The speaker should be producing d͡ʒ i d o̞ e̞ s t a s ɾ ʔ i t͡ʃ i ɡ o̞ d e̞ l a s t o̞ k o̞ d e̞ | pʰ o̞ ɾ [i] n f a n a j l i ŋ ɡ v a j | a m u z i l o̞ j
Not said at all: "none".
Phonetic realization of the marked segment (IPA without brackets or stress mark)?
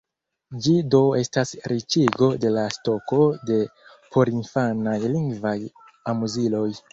i